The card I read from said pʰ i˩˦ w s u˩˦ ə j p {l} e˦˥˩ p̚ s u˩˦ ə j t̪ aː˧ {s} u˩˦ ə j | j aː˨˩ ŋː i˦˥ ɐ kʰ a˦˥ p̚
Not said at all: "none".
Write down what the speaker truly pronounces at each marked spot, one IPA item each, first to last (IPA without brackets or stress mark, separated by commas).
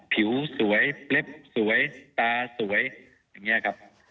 l, s